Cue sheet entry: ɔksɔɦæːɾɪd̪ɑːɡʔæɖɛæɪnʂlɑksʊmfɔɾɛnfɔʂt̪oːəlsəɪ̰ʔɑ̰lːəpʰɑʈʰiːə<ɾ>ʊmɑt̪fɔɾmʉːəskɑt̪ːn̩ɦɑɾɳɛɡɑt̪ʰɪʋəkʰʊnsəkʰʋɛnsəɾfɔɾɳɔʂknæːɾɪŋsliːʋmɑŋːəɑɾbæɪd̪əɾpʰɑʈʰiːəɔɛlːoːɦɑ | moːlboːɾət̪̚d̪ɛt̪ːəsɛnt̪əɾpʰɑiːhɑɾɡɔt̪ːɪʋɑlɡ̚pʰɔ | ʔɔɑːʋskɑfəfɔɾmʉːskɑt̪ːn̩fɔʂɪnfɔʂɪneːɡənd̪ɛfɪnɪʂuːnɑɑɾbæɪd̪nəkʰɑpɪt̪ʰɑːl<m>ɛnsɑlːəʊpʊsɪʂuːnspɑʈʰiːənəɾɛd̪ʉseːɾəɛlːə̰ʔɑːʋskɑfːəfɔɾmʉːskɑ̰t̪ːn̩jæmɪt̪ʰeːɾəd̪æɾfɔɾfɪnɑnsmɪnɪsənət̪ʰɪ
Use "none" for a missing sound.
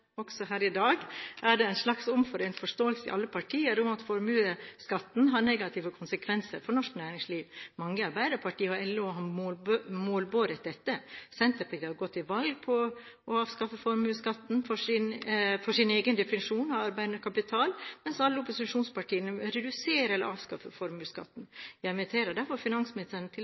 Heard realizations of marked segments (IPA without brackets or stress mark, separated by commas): ɾ, m